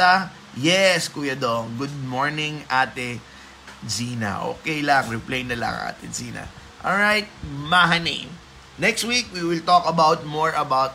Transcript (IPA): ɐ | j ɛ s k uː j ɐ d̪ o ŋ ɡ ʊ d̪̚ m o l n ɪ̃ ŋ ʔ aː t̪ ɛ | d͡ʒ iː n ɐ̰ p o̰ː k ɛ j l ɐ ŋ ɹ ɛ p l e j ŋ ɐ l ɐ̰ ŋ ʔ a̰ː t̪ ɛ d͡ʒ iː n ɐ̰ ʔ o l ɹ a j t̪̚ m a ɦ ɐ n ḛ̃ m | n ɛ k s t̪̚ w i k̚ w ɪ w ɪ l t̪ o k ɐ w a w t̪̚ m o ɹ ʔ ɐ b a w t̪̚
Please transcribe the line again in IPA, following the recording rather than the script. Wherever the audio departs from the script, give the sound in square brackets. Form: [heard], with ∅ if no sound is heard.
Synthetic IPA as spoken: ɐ | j ɛ s k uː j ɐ d̪ o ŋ ɡ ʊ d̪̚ m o [ɹ] n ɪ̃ ŋ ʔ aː t̪ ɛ | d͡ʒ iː n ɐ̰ [ʔ] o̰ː k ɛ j l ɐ ŋ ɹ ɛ p l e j [n] ɐ l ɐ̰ ŋ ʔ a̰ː t̪ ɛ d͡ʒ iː n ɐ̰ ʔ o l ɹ a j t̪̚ m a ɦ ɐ n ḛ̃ m | n ɛ k s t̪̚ w i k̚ w [i] w ɪ l t̪ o k ɐ [b] a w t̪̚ m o ɹ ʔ ɐ b a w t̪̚